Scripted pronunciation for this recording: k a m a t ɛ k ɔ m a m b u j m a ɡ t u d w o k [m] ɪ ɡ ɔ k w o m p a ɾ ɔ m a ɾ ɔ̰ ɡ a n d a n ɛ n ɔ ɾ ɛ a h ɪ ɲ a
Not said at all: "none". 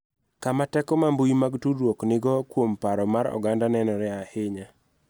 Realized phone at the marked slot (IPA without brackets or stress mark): n